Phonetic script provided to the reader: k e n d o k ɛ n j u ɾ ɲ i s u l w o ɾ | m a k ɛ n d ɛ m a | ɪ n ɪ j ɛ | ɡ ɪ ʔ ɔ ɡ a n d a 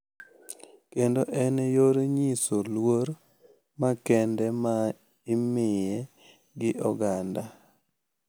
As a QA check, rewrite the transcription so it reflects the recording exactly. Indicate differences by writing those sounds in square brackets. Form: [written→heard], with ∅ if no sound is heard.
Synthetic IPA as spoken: k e n d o [k→ʔ] ɛ n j [u→o] ɾ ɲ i s [u→o] l w o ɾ | m a k ɛ n d ɛ m a | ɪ [n→m] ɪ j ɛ | ɡ ɪ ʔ ɔ ɡ a n d a